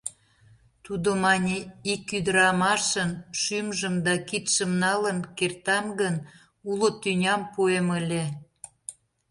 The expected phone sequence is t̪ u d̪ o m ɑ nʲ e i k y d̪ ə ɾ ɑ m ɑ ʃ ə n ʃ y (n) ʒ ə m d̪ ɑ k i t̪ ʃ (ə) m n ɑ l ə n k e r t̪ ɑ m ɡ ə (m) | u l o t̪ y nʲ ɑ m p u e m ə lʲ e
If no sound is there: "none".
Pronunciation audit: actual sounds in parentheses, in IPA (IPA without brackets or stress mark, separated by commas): m, ə, n